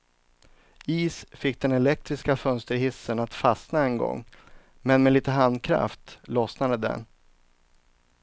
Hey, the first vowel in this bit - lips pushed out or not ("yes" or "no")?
no